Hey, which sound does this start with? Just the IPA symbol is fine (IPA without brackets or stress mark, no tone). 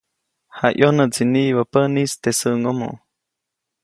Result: h